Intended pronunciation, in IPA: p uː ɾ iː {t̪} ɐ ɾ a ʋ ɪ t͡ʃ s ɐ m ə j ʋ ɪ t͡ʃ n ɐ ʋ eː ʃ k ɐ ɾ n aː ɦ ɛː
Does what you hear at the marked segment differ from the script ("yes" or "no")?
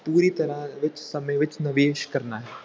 no